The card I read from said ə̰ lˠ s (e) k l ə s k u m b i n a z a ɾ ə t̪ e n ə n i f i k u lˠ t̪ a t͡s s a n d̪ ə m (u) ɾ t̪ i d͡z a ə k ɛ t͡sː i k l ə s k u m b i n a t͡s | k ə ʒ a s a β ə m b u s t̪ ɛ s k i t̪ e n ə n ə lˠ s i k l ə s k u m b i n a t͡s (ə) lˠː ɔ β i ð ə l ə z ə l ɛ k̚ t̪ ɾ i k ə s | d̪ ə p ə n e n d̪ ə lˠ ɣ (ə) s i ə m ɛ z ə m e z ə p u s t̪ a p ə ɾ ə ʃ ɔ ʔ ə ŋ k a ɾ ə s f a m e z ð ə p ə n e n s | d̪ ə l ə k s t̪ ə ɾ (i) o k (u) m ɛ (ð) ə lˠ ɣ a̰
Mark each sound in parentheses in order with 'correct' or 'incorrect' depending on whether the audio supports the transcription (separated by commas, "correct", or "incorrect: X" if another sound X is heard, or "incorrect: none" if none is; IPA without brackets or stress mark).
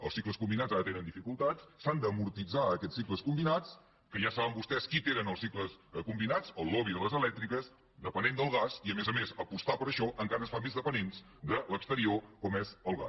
incorrect: i, correct, correct, incorrect: a, correct, incorrect: ɔ, incorrect: z